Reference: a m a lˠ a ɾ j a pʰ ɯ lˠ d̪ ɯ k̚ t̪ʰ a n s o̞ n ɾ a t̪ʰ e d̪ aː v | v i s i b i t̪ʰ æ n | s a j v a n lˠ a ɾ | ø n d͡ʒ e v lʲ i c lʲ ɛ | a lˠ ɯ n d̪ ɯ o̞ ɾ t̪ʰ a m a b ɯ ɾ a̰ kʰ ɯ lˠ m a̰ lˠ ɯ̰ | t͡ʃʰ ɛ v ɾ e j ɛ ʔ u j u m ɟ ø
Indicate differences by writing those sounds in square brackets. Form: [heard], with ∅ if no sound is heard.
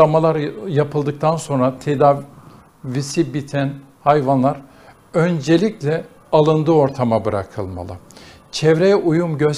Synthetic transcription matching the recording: a m a lˠ a ɾ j a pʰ ɯ lˠ d̪ ɯ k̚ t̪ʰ a n s o̞ n ɾ a t̪ʰ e d̪ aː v | v i s i b i t̪ʰ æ n | [h] a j v a n lˠ a ɾ | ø n d͡ʒ e [∅] lʲ i c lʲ ɛ | a lˠ ɯ n d̪ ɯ o̞ ɾ t̪ʰ a m a b ɯ ɾ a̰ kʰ ɯ lˠ m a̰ lˠ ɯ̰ | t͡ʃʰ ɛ v ɾ e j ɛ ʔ u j u m ɟ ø